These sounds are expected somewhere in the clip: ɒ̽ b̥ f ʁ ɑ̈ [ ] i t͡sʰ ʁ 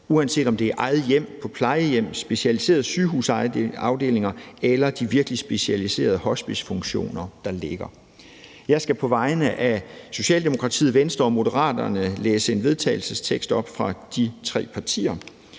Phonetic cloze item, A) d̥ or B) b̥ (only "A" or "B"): A